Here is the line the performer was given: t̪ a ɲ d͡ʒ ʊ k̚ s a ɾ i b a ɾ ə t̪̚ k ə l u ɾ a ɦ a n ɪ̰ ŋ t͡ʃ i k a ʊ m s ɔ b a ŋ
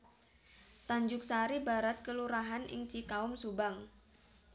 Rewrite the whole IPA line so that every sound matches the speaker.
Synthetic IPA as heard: t̪ a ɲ d͡ʒ ʊ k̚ s a ɾ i b a ɾ a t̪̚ k ə l u ɾ a ɦ a n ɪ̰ ŋ t͡ʃ i k a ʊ m s u b a ŋ